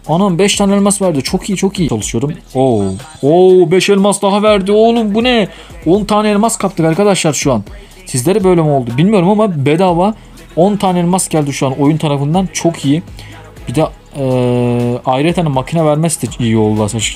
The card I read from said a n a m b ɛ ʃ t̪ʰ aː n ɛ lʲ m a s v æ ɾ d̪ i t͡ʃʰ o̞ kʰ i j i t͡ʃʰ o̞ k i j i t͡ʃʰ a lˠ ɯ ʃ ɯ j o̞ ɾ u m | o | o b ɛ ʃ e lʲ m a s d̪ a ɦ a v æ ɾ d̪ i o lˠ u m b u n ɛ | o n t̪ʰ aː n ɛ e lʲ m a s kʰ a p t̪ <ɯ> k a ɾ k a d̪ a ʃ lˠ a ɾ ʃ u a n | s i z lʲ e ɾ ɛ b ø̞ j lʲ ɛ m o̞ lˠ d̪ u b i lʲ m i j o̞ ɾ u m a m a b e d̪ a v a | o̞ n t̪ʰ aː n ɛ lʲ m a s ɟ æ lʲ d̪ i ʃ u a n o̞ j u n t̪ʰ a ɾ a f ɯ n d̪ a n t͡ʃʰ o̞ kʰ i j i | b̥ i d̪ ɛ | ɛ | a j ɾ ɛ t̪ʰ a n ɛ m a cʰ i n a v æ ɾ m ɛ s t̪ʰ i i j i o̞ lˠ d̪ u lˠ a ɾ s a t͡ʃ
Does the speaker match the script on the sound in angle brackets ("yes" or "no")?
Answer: yes